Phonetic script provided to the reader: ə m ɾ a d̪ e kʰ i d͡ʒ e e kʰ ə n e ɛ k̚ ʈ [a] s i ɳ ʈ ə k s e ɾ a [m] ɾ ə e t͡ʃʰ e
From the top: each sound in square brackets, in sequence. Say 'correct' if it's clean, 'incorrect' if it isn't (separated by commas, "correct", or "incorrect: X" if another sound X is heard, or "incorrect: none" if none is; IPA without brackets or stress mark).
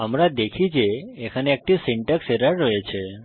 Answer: incorrect: i, incorrect: none